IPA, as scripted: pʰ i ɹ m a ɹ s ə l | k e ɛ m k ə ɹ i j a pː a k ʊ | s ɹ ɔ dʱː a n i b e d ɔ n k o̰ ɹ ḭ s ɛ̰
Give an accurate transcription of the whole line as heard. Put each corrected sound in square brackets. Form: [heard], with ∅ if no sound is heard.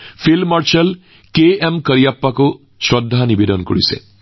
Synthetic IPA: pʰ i [l] m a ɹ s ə l | k e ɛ m k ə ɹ i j a pː a k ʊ | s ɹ ɔ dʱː a n i b e d ɔ n k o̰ ɹ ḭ s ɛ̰